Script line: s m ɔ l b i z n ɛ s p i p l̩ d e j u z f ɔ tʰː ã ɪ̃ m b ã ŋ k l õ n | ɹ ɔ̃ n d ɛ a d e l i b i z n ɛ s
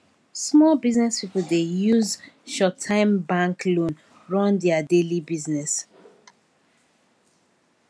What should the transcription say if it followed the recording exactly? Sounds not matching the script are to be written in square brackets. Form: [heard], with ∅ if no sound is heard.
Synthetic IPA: s m ɔ l b i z n ɛ s p i p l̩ d e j u z [ʃ] ɔ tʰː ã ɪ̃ m b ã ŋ k l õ n | ɹ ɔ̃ n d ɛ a d e l i b i z n ɛ s